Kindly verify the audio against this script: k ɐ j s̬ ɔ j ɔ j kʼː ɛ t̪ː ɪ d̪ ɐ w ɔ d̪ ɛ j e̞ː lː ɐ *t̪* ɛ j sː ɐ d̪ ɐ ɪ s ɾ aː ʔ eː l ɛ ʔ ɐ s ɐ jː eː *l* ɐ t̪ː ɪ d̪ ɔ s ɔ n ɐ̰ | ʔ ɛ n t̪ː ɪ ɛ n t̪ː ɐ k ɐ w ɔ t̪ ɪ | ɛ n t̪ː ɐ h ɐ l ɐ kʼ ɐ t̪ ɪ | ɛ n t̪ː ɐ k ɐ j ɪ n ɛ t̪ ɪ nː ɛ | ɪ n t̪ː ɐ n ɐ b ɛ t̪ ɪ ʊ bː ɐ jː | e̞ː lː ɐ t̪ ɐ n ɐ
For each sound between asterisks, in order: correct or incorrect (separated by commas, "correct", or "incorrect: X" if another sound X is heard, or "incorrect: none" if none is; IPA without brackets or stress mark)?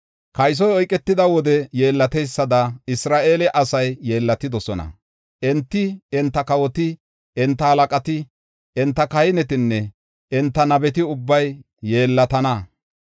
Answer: correct, incorrect: lː